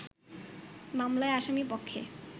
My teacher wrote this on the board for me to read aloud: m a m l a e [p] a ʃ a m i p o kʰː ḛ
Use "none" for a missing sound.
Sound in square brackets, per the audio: none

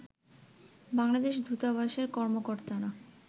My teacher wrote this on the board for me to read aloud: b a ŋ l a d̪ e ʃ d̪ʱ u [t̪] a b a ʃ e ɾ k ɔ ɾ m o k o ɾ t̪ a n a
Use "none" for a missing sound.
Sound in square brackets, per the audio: t̪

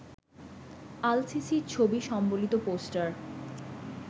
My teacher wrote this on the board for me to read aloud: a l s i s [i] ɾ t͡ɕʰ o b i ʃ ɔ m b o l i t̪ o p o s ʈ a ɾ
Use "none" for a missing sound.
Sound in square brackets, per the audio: i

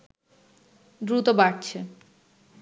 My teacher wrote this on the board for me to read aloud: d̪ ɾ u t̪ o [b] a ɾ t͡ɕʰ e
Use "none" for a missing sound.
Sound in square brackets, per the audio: b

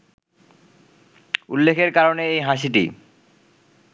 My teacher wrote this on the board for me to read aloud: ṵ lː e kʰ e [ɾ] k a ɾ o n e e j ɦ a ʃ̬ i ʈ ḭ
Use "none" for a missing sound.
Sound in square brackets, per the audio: ɾ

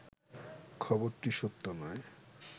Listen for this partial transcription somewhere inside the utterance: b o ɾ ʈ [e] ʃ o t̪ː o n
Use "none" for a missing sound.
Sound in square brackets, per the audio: i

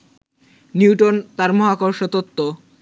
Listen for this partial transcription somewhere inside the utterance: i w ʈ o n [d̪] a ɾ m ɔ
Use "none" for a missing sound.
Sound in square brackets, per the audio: t̪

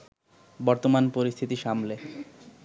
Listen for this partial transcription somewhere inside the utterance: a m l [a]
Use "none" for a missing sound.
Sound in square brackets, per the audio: e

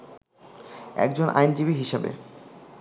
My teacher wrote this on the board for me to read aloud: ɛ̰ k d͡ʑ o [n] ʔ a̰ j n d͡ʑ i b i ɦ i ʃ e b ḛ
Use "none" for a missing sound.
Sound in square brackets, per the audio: n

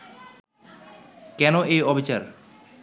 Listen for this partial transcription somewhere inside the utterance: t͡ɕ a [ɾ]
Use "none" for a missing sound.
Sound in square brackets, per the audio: ɾ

